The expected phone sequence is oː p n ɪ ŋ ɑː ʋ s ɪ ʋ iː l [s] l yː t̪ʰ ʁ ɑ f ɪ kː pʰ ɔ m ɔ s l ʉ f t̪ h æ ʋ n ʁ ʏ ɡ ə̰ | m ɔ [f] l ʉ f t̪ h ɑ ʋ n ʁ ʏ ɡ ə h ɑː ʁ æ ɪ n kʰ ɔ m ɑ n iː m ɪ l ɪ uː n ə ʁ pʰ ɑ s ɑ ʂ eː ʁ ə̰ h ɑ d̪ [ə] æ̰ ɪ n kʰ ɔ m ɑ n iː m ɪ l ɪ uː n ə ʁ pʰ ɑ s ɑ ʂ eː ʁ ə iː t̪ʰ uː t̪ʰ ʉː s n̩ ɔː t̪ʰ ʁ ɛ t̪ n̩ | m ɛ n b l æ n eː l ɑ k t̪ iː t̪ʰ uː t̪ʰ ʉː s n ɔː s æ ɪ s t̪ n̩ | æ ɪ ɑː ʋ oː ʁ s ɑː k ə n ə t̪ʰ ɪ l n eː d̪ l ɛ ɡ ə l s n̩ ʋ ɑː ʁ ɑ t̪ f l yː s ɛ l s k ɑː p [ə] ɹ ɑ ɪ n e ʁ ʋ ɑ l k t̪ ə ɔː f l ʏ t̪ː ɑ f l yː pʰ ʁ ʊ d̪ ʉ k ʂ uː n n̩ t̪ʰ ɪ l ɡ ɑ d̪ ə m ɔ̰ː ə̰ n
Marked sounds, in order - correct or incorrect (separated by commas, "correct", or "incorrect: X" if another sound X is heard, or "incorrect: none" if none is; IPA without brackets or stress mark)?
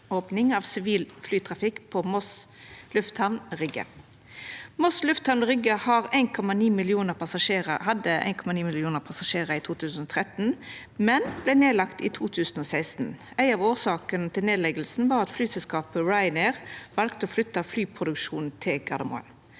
incorrect: f, incorrect: s, correct, correct